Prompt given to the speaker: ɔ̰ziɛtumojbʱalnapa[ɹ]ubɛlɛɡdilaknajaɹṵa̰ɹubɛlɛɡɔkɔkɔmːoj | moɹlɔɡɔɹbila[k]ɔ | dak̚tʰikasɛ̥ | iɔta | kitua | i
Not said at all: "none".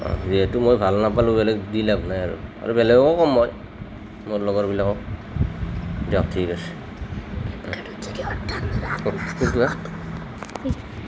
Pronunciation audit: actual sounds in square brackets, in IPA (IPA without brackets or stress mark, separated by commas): l, k